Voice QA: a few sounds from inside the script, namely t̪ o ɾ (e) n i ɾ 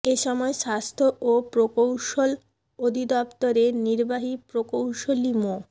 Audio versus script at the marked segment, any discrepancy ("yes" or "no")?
no